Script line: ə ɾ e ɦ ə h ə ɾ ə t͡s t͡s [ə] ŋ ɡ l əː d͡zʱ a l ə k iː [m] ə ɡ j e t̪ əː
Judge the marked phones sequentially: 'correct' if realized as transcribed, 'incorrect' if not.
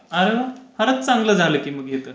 incorrect: a, correct

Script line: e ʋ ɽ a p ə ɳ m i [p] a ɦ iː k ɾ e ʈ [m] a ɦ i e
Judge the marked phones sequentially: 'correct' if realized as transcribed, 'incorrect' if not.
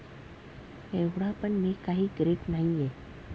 incorrect: k, incorrect: n

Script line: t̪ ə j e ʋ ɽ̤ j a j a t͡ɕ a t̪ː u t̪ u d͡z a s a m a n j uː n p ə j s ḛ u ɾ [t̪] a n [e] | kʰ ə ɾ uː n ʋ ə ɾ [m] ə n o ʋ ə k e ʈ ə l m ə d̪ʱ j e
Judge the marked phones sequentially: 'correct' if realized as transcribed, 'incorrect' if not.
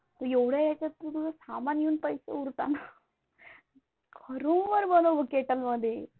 correct, incorrect: a, incorrect: b

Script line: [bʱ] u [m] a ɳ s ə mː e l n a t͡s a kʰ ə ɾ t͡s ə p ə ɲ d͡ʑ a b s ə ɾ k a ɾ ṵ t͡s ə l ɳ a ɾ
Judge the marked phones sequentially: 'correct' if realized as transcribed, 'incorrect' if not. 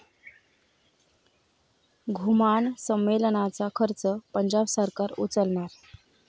incorrect: ɡʱ, correct

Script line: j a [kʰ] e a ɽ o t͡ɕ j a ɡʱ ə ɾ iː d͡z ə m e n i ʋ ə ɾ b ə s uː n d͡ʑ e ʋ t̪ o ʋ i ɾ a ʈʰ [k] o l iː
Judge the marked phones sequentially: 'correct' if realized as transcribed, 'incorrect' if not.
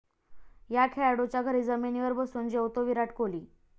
correct, correct

